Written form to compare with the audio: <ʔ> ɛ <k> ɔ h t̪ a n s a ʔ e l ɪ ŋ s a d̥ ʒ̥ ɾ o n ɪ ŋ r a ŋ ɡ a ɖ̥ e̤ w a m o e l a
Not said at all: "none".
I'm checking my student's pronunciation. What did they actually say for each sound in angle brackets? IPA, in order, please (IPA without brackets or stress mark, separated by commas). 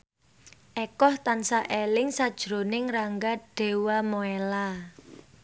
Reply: ʔ, k